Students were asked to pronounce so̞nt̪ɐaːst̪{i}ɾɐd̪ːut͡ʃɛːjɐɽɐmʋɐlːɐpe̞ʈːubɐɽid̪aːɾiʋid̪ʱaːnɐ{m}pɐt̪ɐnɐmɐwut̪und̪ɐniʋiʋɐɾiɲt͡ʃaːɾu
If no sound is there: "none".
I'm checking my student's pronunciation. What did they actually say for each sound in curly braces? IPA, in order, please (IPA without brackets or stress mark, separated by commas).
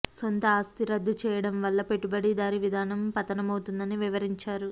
i, m